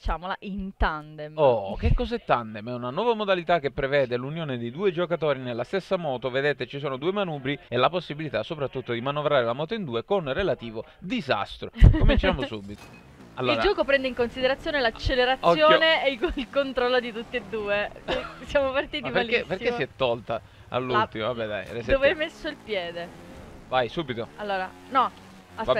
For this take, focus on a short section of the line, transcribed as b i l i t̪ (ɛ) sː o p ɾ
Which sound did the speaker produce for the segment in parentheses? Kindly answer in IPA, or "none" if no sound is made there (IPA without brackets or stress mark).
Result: a